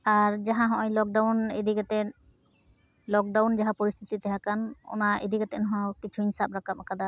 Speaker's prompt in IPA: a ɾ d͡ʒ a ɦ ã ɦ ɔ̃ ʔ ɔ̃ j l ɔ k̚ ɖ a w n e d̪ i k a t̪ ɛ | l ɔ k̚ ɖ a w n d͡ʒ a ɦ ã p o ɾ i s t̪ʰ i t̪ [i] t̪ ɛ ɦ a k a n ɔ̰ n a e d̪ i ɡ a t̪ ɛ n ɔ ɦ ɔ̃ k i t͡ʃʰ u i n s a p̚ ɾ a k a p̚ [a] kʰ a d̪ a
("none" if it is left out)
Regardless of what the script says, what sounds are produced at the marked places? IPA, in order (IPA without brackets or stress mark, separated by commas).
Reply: i, a